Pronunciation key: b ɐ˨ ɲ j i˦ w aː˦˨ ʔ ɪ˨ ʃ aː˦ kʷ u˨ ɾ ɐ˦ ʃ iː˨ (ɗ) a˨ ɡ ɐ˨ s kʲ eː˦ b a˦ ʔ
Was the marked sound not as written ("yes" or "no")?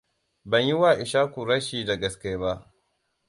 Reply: yes